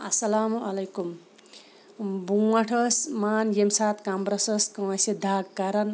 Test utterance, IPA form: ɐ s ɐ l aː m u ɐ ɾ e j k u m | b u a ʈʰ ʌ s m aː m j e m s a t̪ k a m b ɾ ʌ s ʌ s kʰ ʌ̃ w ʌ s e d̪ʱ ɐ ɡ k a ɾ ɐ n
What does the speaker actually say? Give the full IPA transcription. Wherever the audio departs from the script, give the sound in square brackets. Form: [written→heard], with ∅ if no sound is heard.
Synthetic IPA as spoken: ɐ s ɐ l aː m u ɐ [ɾ→l] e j k u m | b u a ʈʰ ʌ s m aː [m→n] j e m s a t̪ k a m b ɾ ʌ s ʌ s [kʰ→k] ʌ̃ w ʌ s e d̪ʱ [ɐ→a] ɡ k a ɾ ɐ n